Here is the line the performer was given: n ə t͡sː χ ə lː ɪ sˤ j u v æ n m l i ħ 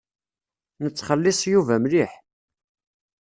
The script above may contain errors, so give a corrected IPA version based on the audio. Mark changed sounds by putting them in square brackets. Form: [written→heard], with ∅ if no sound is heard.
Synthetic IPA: n ə t͡sː χ ə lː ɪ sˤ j u v æ [n→∅] m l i ħ